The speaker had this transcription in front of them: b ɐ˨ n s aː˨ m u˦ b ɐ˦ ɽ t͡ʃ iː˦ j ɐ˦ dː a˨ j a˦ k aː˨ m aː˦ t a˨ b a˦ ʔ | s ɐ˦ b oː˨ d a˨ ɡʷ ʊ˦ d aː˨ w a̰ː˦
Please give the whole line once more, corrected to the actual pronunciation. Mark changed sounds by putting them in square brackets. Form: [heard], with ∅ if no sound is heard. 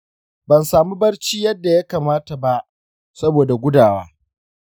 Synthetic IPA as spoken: b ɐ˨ n s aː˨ m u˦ b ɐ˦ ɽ t͡ʃ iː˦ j ɐ˦ dː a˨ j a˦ k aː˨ m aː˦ t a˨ b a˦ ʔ | s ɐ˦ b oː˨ d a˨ ɡʷ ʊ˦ d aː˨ w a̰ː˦